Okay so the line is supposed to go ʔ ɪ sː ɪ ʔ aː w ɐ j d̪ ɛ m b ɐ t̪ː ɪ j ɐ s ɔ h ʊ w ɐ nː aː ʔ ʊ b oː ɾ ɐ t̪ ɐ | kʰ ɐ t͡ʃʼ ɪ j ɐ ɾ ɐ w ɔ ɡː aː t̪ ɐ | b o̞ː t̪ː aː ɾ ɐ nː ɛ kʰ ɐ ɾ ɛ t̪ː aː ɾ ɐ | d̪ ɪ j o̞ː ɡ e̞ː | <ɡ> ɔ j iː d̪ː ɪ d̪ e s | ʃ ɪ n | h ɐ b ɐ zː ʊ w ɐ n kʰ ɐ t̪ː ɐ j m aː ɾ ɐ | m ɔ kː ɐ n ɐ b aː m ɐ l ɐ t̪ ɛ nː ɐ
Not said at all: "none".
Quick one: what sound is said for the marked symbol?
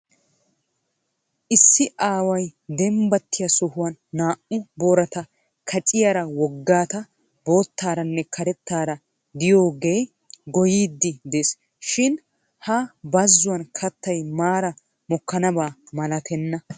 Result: ɡ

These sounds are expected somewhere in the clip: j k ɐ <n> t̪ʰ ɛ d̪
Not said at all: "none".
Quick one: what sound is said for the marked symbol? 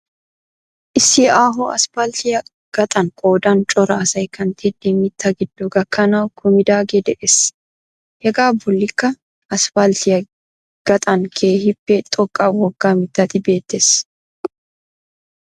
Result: n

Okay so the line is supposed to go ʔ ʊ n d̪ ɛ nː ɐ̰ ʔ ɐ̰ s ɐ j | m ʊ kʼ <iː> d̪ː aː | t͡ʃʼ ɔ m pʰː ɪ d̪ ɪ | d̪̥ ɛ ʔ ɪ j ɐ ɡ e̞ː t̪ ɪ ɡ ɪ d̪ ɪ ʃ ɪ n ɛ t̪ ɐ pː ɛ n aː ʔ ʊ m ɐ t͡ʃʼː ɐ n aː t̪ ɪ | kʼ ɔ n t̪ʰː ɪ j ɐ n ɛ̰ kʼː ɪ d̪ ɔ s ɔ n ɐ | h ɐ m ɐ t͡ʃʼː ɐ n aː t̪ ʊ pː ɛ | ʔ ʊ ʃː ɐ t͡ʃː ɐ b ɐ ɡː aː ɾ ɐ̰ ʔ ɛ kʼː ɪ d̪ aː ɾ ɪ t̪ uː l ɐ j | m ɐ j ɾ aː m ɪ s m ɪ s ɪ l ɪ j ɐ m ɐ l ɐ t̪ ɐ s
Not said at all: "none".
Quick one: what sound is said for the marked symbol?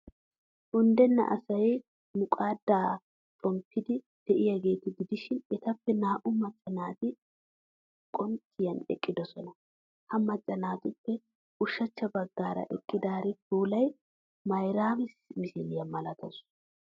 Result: aː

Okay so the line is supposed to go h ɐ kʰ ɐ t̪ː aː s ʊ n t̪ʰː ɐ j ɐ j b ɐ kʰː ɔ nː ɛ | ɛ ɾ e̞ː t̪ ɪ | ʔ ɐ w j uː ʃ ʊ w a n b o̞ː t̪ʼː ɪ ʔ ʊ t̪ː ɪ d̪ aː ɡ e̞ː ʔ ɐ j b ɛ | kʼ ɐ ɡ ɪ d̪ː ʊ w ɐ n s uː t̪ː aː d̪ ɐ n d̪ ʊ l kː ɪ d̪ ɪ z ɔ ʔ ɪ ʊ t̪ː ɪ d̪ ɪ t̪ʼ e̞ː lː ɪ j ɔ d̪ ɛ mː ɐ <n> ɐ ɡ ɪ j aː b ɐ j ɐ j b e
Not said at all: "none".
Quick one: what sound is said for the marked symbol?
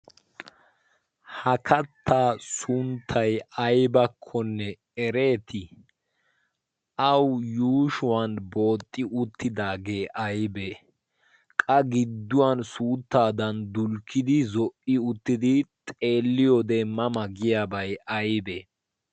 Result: m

